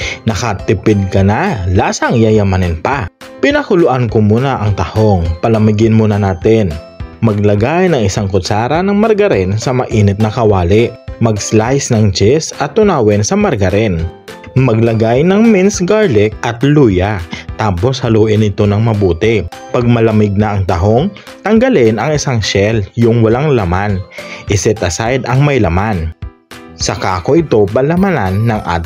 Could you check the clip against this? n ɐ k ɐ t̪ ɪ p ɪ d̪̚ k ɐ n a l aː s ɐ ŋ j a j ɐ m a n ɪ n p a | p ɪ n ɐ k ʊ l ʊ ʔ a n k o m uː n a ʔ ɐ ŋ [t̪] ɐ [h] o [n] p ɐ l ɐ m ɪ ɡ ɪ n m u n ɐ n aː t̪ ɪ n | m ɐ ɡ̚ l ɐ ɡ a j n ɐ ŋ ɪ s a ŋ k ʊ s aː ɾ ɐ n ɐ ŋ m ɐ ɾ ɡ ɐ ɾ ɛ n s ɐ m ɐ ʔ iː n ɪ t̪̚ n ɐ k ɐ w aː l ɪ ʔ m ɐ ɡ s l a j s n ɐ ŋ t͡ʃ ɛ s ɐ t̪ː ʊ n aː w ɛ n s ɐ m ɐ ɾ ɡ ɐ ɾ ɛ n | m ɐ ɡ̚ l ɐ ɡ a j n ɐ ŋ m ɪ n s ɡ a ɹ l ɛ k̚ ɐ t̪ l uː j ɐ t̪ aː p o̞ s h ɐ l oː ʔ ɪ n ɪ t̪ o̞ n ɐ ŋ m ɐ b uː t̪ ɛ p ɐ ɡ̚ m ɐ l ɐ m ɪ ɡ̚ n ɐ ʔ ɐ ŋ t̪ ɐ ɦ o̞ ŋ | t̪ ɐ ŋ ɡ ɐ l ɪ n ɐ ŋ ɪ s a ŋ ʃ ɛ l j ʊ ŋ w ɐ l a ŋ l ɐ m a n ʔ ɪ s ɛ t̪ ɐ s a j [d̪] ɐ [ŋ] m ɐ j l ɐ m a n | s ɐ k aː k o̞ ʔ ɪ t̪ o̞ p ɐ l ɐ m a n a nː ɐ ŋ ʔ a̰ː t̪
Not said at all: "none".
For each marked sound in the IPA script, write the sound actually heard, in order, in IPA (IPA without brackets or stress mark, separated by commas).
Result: t̪, h, ŋ, d̪, ŋ